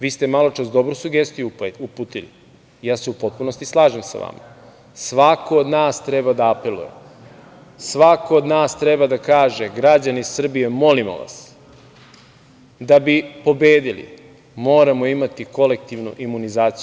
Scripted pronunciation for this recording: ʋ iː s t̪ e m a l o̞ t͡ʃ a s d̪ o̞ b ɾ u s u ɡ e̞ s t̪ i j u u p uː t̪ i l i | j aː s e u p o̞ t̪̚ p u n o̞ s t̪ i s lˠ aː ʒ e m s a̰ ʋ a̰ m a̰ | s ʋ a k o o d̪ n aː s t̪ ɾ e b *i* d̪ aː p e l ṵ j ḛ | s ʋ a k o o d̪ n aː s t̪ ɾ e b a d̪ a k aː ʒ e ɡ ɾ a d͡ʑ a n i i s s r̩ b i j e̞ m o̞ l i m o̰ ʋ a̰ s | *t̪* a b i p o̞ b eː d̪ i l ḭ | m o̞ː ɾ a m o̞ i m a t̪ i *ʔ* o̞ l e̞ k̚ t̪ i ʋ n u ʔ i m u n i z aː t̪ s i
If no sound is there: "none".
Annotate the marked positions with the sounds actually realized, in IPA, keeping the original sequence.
a, d̪, k

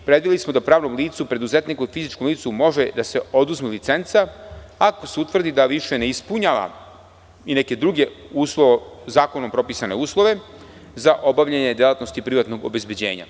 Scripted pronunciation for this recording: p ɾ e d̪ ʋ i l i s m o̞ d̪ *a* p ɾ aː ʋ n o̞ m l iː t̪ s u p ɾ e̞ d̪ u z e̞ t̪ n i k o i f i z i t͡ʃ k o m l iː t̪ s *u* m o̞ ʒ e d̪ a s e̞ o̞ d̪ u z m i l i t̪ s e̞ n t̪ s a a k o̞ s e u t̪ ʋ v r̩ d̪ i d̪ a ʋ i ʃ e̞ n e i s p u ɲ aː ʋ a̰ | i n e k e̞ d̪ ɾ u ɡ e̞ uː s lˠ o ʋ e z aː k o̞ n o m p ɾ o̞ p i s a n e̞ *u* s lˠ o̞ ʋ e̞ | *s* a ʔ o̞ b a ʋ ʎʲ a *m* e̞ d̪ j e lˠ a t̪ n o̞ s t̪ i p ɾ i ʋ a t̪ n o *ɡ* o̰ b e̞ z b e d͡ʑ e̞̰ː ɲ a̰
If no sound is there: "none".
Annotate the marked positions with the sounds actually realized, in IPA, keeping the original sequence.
a, u, uː, z, ɲ, ɡ

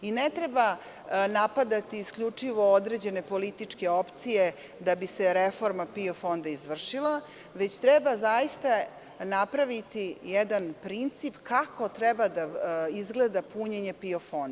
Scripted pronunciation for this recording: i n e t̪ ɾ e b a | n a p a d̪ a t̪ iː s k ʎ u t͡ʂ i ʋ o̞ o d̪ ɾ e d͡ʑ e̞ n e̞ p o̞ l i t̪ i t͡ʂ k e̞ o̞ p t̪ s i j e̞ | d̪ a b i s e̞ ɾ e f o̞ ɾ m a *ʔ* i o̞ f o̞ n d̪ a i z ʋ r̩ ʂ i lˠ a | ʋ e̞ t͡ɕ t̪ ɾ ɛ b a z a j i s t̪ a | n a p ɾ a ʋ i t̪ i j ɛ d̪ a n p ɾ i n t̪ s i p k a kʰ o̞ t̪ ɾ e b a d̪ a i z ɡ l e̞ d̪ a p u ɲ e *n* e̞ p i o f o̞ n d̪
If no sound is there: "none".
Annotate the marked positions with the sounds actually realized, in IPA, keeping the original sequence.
p, ɲ

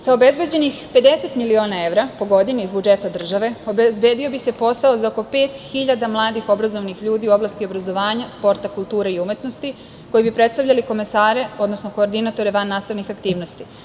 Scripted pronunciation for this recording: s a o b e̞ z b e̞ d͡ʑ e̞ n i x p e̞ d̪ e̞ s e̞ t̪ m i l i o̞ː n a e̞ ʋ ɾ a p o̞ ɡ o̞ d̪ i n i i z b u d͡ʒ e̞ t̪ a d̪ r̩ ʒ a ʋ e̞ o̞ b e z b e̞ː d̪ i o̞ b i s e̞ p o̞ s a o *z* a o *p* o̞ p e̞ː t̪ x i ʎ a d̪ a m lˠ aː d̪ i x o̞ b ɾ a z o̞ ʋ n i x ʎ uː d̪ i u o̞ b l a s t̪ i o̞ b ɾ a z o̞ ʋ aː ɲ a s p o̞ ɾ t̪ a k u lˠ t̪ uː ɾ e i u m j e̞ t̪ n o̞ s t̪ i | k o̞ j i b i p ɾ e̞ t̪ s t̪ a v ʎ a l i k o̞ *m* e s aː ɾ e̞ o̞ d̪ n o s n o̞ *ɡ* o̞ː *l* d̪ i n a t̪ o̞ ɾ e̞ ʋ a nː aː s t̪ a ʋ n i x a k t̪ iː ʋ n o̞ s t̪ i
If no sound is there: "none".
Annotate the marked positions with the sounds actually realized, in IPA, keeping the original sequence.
z, k, m, k, ɾ

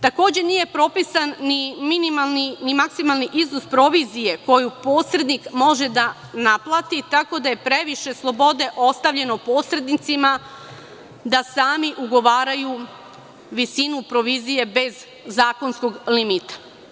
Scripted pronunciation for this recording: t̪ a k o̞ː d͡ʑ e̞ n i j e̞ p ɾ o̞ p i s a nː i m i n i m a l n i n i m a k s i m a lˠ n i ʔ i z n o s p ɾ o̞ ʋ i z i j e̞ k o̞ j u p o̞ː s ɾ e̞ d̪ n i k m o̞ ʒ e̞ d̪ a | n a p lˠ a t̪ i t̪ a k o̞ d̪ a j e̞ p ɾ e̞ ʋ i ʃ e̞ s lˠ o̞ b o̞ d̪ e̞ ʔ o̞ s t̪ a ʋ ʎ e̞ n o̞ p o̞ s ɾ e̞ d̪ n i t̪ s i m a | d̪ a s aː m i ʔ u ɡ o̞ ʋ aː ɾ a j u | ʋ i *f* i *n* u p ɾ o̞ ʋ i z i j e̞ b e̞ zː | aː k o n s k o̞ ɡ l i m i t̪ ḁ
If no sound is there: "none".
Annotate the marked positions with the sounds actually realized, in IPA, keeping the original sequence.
s, n

